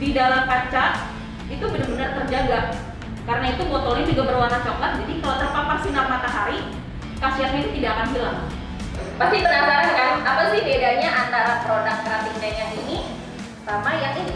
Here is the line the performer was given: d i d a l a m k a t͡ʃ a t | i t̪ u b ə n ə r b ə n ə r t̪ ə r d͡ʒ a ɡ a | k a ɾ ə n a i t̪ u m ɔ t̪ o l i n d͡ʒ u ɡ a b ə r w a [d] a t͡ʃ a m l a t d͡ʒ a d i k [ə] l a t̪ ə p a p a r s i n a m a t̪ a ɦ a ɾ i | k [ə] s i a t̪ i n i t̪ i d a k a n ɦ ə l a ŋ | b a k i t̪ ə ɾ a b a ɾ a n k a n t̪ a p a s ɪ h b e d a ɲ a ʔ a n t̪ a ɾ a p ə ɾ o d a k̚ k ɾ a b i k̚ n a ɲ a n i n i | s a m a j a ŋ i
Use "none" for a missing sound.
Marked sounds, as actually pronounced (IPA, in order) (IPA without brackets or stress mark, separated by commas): n, a, a